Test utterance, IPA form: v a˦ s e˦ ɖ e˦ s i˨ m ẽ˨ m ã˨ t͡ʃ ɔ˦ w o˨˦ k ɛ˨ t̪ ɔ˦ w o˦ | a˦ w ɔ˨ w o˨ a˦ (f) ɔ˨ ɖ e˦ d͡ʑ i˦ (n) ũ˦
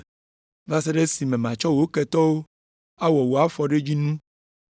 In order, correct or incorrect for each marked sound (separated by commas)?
correct, correct